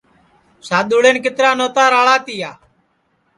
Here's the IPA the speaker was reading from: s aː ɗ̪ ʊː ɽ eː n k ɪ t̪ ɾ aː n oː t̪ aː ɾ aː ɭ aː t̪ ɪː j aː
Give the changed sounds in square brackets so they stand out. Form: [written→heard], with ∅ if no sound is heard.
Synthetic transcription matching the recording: s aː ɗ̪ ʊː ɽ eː n k ɪ t̪ ɾ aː n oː t̪ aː ɾ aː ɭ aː t̪ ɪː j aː

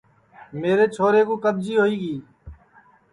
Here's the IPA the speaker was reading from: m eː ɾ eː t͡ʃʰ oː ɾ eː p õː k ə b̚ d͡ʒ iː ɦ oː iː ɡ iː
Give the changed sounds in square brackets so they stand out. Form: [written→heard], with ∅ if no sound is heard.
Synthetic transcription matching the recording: m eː ɾ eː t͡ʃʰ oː ɾ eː [p→k] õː k ə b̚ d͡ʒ iː ɦ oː iː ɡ iː

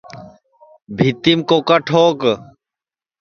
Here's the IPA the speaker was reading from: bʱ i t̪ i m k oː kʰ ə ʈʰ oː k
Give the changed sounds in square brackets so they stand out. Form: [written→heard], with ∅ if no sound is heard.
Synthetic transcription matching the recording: bʱ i t̪ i m k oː [kʰ→k] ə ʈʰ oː k

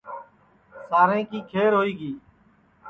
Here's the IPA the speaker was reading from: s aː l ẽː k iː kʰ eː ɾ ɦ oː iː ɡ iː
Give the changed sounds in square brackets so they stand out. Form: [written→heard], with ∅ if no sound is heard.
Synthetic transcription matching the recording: s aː [l→ɾ] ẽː k iː kʰ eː ɾ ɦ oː iː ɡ iː

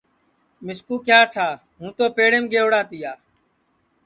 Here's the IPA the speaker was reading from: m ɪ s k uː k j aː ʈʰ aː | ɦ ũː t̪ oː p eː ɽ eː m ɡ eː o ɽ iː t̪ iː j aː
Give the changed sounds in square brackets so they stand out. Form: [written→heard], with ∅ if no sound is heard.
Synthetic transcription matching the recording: m ɪ s k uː k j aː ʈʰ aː | ɦ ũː t̪ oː p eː ɽ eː m ɡ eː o ɽ [iː→aː] t̪ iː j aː

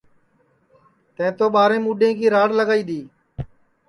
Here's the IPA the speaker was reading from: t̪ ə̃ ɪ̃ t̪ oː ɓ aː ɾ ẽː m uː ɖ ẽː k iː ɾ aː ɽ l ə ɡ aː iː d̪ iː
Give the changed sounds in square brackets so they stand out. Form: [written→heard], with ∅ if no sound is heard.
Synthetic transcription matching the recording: t̪ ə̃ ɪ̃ t̪ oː ɓ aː ɾ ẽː m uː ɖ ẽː k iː ɾ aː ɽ l ə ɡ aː iː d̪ iː

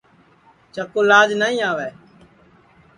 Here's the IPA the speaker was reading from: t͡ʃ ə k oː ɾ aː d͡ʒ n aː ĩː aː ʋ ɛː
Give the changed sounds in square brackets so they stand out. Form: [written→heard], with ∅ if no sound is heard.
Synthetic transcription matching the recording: t͡ʃ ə k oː [ɾ→l] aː d͡ʒ n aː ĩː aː ʋ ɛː

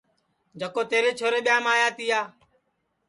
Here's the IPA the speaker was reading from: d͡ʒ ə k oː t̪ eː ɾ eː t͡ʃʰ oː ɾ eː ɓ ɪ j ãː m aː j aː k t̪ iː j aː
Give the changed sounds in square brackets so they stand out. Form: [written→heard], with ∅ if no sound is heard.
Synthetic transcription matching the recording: d͡ʒ ə k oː t̪ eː ɾ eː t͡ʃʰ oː ɾ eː ɓ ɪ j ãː m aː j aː [k→∅] t̪ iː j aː

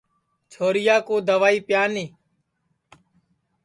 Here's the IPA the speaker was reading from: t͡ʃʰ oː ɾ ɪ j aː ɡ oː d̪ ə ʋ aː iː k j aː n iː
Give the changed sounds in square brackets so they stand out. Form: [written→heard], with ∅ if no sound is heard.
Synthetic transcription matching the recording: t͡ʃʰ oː ɾ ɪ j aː [ɡ→k] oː d̪ ə ʋ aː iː [k→p] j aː n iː

